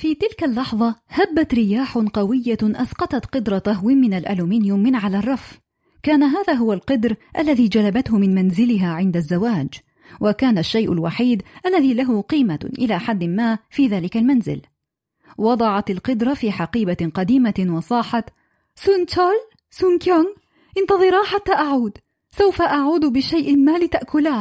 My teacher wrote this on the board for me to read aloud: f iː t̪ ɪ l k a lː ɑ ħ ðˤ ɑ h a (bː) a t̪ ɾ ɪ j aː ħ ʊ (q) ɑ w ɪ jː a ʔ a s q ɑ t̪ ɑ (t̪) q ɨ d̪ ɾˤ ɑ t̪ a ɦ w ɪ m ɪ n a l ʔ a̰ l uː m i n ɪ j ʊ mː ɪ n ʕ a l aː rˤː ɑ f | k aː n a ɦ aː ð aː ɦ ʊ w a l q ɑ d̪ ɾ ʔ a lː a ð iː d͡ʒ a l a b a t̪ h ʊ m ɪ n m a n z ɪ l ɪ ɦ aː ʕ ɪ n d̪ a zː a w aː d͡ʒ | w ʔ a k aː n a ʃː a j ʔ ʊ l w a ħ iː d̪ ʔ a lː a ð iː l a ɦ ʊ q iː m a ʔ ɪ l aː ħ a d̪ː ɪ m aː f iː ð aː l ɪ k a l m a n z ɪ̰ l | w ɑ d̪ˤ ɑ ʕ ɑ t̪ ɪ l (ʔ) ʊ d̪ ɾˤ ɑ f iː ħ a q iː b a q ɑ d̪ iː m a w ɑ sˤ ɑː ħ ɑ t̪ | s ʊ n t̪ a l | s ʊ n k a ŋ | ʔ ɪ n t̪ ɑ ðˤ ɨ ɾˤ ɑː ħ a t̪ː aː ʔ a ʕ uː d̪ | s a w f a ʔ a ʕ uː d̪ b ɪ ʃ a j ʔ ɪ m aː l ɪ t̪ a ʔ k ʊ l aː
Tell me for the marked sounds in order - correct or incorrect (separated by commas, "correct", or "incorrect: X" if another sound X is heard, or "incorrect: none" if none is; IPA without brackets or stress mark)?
correct, correct, correct, incorrect: q